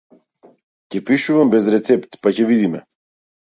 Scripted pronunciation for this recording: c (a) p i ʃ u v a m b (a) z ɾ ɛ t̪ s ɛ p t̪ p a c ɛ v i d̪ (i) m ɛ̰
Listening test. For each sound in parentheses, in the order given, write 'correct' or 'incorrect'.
incorrect, incorrect, correct

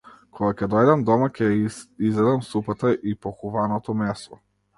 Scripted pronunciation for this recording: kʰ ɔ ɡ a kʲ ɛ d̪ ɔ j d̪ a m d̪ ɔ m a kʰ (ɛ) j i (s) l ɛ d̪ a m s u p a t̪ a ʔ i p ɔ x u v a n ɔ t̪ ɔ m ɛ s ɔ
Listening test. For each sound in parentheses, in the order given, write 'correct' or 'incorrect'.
correct, incorrect

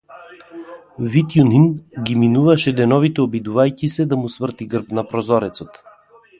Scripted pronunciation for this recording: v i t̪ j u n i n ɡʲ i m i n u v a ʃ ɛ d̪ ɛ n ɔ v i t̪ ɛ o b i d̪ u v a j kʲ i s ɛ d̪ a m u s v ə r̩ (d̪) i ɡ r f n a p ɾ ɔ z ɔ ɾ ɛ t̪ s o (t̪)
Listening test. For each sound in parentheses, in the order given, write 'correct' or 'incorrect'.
incorrect, correct

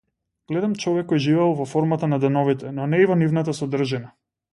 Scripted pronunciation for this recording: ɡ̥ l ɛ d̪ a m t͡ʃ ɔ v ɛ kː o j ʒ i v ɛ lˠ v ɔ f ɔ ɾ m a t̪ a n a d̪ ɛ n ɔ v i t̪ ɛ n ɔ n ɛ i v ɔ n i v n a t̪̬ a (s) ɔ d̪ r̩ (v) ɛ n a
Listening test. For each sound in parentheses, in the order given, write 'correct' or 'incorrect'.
correct, incorrect

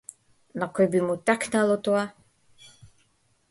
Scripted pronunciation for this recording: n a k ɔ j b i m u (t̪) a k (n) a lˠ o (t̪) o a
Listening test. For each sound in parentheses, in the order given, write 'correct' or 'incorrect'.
correct, correct, correct

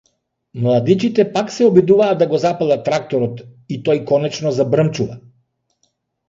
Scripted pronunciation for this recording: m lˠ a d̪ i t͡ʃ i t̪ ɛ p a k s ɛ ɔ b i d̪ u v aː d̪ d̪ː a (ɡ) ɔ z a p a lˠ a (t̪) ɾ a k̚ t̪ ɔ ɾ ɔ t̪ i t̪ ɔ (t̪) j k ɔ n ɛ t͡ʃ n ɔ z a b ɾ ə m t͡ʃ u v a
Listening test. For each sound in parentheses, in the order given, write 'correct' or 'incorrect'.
correct, correct, incorrect

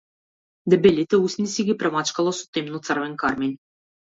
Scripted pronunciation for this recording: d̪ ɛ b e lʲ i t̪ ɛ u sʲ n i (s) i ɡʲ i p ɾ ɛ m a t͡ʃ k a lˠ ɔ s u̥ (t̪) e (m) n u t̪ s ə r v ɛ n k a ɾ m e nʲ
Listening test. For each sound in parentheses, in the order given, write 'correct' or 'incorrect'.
correct, correct, correct

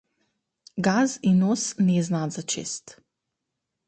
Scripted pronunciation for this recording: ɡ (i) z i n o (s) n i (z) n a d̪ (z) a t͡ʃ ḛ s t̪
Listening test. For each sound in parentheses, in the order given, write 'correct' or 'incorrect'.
incorrect, correct, correct, correct

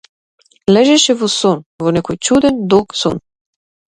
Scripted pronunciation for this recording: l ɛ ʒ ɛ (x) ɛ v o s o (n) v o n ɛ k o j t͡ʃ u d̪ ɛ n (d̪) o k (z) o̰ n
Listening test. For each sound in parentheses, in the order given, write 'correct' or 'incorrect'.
incorrect, correct, correct, incorrect

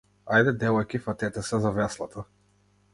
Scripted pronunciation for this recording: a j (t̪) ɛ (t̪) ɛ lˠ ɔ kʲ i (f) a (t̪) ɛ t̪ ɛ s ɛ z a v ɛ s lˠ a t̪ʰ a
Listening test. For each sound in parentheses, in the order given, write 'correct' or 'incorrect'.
incorrect, incorrect, correct, correct

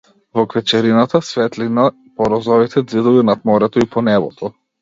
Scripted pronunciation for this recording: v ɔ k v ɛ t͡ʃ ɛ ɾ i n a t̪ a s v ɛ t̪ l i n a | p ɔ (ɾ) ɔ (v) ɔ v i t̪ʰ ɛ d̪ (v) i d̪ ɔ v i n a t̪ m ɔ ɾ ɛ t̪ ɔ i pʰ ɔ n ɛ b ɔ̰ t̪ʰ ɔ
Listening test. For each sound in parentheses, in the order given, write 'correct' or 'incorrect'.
correct, incorrect, incorrect

